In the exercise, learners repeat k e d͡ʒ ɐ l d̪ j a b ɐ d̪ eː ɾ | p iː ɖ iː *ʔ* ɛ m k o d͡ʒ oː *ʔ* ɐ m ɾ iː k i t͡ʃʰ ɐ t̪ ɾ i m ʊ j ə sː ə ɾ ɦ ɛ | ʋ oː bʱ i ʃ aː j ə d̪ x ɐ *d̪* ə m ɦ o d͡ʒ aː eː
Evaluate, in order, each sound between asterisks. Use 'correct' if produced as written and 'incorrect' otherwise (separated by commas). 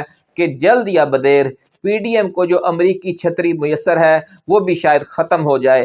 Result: incorrect, correct, incorrect